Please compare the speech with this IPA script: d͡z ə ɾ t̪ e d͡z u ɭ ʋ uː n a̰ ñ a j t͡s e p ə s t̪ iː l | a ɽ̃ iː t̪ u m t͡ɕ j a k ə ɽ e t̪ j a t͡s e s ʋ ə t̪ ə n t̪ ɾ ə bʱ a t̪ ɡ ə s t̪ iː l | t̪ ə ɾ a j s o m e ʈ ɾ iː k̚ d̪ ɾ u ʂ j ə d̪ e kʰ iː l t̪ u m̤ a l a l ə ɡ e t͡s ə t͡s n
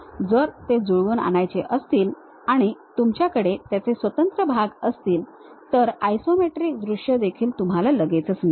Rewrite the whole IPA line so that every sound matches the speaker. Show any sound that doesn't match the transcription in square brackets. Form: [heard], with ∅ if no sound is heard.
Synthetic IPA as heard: d͡z ə ɾ t̪ e d͡z u ɭ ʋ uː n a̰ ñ a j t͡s e [ʔ] ə s t̪ iː l | a ɽ̃ [i] t̪ u m t͡ɕ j a k ə ɽ e t̪ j a t͡s e s ʋ ə t̪ ə n t̪ ɾ ə bʱ a [∅] ɡ ə s t̪ iː l | t̪ ə ɾ a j s o m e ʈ ɾ iː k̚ d̪ ɾ u ʂ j ə d̪ e kʰ iː l t̪ u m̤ a l a l ə ɡ e t͡s ə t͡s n